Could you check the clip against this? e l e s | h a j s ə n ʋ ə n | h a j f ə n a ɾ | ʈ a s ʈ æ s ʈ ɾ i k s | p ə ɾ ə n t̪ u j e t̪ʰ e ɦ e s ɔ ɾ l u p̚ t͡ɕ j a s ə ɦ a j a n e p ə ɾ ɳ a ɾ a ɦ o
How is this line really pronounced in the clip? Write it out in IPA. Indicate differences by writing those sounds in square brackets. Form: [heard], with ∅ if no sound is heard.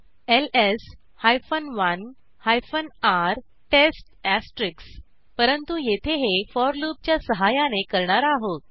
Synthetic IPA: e l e s | h a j [f] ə n ʋ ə n | h a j f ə n a ɾ | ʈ [e] s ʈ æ s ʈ ɾ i k s | p ə ɾ ə n t̪ u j e t̪ʰ e ɦ e [f] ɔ ɾ l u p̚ t͡ɕ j a s ə ɦ a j a n e [k] ə ɾ ɳ a ɾ a ɦ o

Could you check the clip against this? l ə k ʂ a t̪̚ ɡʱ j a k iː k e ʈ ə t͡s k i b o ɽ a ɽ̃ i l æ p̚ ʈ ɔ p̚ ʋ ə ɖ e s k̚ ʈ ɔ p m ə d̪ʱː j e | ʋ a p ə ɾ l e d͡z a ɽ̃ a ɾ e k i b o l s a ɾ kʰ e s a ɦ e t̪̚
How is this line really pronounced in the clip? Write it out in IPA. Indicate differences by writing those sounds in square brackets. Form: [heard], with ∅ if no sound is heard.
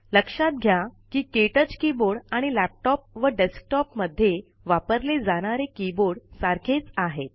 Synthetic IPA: l ə k ʂ a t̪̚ ɡʱ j a k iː k e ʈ ə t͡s k i b o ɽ a ɽ̃ i l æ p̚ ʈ ɔ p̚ ʋ ə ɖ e s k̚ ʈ ɔ p m ə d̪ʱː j e | ʋ a p ə ɾ l e d͡z a ɽ̃ a ɾ e k i b o [ɽ] s a ɾ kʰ e [t͡s] a ɦ e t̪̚

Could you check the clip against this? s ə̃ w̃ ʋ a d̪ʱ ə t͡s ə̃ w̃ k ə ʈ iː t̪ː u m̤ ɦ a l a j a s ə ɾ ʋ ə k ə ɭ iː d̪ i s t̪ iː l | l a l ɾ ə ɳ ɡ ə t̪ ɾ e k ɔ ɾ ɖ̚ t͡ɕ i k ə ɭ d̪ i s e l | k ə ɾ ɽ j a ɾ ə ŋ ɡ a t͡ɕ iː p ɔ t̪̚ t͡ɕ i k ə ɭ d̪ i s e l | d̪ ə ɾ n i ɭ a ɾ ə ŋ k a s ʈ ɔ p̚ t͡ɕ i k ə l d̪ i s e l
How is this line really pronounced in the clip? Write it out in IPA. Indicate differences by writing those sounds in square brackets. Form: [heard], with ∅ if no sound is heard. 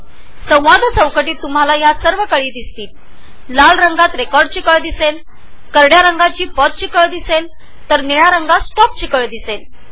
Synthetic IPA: s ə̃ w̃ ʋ a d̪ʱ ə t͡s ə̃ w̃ k ə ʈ iː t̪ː u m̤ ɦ a l a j a s ə ɾ ʋ ə k ə ɭ iː d̪ i s t̪ iː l | l a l ɾ ə [ŋ] ɡ [a] t̪ ɾ e k ɔ ɾ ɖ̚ t͡ɕ i k ə ɭ d̪ i s e l | k ə ɾ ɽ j a ɾ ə ŋ ɡ a t͡ɕ iː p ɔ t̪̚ t͡ɕ i k ə ɭ d̪ i s e l | [t̪] ə ɾ n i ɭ a ɾ ə ŋ [ɡ] a s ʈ ɔ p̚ t͡ɕ i k ə [ɭ] d̪ i s e l

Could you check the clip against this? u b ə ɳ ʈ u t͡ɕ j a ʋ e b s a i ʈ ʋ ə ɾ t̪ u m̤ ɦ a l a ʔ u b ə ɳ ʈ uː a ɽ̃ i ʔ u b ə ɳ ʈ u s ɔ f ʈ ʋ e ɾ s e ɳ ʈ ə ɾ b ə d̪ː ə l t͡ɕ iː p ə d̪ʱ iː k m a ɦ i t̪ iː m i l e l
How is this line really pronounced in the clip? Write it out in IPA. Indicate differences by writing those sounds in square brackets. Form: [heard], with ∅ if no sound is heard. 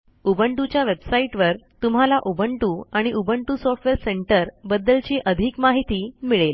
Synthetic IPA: u b ə ɳ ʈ u t͡ɕ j a ʋ e b s a i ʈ ʋ ə ɾ t̪ u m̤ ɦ a l a ʔ u b ə ɳ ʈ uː a ɽ̃ i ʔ u b ə ɳ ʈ u s ɔ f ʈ ʋ e ɾ s e ɳ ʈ ə ɾ b ə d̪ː ə l t͡ɕ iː [ʔ] ə d̪ʱ iː k m a ɦ i t̪ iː m i [ɭ] e l

